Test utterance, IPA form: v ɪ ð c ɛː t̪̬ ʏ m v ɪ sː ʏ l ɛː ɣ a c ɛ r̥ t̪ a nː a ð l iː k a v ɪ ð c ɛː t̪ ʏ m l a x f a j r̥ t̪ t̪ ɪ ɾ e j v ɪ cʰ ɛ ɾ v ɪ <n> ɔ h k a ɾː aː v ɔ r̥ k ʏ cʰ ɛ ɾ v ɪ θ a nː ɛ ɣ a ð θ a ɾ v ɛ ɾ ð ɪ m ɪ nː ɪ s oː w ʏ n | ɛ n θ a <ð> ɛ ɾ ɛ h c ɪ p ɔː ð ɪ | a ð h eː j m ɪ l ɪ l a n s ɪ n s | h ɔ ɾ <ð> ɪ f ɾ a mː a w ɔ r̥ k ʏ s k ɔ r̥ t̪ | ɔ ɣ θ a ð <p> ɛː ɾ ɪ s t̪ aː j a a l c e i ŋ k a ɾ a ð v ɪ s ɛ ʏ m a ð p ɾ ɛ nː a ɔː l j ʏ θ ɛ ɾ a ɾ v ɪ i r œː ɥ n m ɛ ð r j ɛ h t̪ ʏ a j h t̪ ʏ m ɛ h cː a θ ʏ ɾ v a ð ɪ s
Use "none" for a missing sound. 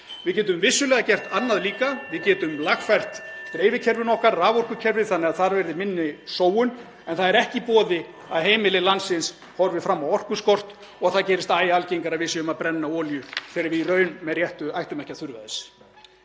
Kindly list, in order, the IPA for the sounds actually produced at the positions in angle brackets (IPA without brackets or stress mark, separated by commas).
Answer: n, ð, v, c